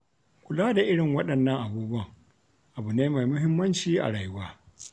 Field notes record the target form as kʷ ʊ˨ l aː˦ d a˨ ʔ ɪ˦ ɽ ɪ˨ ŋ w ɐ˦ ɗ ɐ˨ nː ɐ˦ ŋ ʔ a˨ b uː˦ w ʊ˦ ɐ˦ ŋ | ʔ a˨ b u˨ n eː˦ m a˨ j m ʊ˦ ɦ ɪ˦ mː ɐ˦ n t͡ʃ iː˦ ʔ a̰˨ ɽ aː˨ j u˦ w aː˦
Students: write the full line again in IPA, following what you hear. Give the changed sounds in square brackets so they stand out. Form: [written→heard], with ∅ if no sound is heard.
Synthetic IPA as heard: kʷ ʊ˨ l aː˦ d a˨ ʔ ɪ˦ ɽ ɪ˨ ŋ w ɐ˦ ɗ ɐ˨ nː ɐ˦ ŋ ʔ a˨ b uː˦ [w→b] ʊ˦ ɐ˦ ŋ | ʔ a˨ b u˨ n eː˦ m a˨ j m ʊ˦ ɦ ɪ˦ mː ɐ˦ n t͡ʃ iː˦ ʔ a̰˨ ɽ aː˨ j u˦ w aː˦